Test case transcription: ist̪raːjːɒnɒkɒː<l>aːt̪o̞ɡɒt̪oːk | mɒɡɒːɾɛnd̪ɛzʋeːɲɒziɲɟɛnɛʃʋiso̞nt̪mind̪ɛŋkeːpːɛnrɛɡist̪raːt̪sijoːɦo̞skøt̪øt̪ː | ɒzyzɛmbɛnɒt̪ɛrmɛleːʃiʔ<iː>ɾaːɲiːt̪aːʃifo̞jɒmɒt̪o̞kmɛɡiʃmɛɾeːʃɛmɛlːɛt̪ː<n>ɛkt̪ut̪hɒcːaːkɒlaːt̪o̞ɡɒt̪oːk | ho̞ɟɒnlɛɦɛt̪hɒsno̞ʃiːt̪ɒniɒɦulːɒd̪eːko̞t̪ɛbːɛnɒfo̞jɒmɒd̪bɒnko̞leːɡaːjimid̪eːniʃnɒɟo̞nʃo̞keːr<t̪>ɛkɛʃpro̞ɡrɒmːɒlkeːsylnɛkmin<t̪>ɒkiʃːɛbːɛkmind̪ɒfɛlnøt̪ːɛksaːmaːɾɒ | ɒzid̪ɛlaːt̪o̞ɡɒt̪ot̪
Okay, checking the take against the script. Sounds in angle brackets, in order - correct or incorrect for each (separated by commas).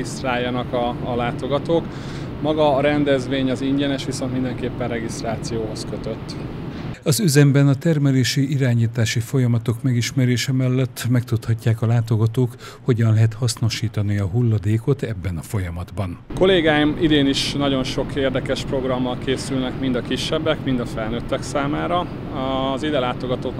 correct, incorrect, incorrect, incorrect, incorrect